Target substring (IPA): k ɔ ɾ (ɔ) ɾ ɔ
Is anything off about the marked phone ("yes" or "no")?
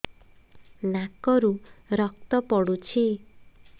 yes